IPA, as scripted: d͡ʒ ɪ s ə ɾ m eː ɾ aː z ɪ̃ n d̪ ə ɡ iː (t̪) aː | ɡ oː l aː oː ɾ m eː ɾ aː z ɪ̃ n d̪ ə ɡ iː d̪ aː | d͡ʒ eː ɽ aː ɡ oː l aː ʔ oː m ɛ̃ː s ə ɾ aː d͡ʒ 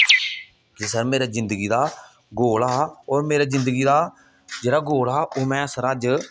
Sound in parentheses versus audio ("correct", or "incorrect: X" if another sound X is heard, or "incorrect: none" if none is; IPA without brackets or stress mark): incorrect: d̪